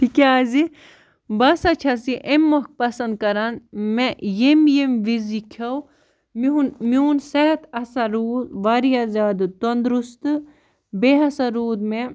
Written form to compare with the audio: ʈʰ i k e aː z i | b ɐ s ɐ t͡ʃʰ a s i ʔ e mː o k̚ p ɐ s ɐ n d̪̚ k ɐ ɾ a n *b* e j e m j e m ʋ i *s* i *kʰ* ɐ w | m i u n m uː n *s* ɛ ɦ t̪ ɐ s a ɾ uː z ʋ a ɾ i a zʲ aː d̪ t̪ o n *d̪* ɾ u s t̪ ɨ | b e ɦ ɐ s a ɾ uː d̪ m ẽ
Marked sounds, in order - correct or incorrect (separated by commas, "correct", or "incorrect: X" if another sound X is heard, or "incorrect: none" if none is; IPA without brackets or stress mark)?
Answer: incorrect: m, incorrect: z, correct, correct, correct